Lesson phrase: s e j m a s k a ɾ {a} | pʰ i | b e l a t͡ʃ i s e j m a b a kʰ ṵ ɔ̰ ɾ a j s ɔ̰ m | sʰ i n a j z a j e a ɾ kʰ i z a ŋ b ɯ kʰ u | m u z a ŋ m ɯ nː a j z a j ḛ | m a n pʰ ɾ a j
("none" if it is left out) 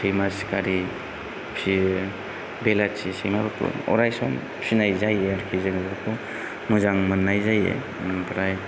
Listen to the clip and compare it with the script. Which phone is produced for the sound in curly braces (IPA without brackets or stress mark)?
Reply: i